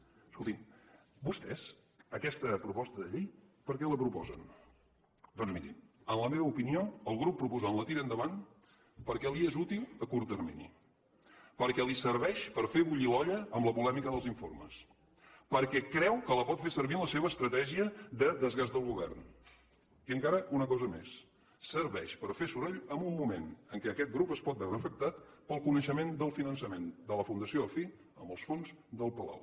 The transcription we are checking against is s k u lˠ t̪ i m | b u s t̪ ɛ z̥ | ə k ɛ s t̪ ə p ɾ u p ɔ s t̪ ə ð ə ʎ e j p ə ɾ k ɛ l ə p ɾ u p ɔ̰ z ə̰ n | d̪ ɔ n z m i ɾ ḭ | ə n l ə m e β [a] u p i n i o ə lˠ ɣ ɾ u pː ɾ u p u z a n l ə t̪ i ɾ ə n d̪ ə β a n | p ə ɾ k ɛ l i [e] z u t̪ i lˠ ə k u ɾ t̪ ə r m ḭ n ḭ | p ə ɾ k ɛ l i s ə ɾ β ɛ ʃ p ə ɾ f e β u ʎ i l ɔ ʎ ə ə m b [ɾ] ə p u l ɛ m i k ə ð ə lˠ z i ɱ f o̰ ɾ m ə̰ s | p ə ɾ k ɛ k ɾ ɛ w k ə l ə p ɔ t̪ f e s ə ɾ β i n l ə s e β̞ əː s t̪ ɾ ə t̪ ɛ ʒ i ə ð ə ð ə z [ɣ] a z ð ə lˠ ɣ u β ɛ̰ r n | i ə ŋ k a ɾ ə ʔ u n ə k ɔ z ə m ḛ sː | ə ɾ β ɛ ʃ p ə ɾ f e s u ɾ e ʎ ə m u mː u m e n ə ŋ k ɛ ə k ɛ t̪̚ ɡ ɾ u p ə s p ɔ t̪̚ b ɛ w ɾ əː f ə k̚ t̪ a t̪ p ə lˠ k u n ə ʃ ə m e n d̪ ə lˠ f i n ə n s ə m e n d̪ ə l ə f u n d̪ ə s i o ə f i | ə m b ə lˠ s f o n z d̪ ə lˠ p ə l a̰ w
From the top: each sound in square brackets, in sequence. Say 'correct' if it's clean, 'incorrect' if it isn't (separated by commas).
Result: incorrect, correct, incorrect, correct